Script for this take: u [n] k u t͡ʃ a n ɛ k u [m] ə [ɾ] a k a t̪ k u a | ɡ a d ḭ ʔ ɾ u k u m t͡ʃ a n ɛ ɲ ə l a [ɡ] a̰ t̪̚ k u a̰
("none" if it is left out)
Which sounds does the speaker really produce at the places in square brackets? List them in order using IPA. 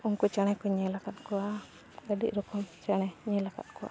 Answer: ŋ, ɲ, l, k

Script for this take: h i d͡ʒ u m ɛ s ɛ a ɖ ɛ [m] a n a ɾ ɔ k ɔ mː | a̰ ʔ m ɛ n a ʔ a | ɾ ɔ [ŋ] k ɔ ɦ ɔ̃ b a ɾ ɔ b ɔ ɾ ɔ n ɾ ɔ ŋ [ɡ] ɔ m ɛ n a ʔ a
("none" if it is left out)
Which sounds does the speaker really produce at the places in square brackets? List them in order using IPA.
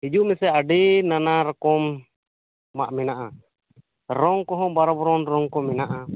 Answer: n, ŋ, k

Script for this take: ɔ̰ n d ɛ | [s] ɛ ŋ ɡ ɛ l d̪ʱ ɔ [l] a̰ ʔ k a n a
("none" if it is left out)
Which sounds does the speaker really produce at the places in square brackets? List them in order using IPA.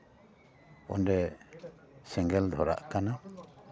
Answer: s, ɾ

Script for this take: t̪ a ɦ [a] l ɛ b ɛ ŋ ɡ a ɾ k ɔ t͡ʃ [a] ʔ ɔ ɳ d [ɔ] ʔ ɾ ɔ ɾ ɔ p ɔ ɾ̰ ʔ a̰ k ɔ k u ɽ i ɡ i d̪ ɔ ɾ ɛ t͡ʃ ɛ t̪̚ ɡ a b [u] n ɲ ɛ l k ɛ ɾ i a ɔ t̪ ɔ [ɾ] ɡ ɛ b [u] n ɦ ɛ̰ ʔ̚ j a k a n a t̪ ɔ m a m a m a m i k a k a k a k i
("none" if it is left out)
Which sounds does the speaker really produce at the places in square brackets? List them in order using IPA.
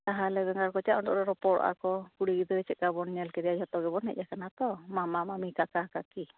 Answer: a, a, ɔ, ɔ, none, ɔ

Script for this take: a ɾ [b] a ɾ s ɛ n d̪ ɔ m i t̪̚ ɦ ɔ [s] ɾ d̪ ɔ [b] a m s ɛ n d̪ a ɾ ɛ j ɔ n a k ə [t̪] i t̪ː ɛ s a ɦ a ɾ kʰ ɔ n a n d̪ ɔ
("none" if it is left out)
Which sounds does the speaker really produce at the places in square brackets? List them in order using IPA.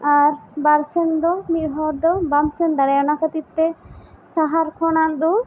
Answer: b, none, b, t̪

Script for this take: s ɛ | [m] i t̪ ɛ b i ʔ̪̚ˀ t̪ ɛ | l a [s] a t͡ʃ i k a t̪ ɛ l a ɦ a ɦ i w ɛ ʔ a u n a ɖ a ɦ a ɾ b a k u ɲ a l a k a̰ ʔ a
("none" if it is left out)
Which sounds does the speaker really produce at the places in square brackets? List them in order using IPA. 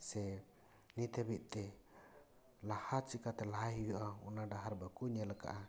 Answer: n, h

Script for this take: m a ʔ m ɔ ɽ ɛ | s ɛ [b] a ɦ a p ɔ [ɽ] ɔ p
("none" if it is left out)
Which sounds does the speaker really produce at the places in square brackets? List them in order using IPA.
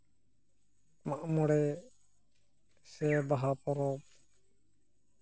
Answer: b, ɾ

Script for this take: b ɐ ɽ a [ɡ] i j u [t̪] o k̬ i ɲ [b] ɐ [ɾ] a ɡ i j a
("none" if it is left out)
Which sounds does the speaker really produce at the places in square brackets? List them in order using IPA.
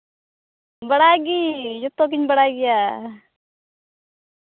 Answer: ɡ, t̪, b, ɽ

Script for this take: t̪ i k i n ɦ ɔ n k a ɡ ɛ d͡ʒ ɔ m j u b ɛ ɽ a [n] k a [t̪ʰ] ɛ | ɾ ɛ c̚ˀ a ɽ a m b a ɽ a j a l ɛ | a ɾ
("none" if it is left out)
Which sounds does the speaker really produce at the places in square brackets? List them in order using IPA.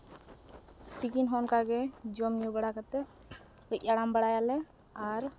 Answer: none, t̪

